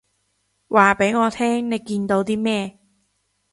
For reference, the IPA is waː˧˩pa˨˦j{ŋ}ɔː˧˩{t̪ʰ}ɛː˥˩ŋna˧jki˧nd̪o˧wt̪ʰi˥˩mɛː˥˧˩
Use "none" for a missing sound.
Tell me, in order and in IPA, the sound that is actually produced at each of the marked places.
ŋ, t̪ʰ

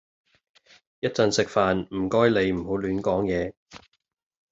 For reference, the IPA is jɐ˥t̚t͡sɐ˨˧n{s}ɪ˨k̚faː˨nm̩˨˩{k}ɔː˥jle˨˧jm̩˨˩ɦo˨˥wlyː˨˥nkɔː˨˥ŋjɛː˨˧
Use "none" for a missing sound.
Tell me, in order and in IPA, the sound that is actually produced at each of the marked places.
s, k

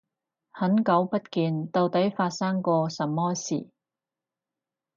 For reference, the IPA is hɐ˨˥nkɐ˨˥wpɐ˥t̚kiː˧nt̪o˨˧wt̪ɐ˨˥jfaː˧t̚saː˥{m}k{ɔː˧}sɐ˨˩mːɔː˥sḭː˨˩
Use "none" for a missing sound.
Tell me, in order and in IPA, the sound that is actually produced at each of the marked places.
ŋ, ɔː˧

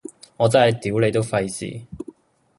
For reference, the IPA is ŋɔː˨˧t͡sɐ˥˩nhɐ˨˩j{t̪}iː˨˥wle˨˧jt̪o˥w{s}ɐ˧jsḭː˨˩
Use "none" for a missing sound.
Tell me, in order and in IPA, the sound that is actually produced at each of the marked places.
t̪, f

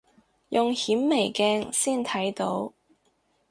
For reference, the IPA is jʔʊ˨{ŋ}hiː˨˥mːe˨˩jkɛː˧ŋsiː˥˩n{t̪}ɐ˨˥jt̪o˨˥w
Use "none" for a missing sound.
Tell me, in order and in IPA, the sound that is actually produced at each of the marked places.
ŋ, t̪ʰ

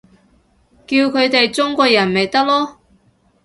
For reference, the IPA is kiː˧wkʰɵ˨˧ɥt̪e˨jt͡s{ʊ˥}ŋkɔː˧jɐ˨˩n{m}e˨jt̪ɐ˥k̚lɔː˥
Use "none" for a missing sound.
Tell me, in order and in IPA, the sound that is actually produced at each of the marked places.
ʊ˥, m

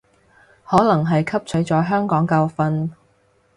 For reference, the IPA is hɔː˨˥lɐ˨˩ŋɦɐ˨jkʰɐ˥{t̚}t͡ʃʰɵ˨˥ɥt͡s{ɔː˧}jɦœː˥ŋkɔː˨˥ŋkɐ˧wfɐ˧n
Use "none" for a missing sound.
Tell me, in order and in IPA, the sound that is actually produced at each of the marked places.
p̚, ɔː˨˥

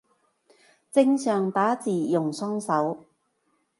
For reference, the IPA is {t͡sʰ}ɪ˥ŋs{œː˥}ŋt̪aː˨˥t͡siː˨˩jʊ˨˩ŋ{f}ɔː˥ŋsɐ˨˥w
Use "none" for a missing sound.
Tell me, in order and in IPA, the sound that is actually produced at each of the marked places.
t͡s, œː˨, s

